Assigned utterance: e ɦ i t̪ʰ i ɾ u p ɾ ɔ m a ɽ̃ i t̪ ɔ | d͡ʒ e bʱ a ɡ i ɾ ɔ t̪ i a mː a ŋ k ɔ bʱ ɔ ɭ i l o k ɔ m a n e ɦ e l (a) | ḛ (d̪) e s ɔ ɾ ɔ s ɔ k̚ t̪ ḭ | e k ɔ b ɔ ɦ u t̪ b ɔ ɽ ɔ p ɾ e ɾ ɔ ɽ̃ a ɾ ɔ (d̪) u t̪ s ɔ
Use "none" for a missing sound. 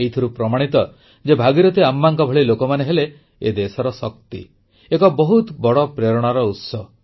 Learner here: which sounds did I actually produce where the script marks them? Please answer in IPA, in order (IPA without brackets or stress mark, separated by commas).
e, d̪, none